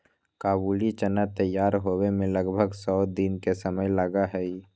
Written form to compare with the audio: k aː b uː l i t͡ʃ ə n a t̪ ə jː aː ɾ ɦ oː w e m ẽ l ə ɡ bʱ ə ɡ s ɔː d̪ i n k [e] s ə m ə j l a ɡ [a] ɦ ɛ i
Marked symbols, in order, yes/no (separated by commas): yes, yes